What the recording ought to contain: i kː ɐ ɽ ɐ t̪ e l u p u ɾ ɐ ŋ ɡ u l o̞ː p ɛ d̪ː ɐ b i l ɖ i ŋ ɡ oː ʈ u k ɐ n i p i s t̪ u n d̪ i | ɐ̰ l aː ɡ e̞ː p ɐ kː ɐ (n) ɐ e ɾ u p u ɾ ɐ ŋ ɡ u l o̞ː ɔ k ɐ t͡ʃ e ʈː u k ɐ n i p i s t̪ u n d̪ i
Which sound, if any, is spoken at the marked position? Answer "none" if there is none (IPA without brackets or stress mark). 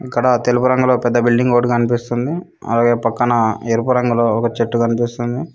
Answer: n